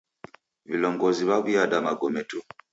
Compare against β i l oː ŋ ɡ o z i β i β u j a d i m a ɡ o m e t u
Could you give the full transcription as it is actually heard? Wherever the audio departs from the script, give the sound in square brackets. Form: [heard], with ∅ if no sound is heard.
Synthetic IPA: β i l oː ŋ ɡ o z i β [a] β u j a d [a] m a ɡ o m e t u